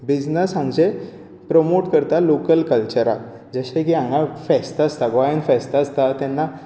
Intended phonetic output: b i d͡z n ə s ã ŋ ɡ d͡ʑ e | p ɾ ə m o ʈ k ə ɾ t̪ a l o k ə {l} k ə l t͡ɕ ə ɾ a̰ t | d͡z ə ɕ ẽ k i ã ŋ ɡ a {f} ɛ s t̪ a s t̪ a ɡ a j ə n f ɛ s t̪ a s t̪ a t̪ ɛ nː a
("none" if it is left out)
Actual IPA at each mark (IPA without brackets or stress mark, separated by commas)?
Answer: l, f